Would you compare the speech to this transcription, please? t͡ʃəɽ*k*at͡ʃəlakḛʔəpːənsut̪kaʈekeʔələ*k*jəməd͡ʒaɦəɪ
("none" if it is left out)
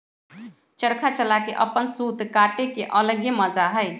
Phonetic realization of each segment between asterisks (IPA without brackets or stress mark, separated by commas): kʰ, ɡ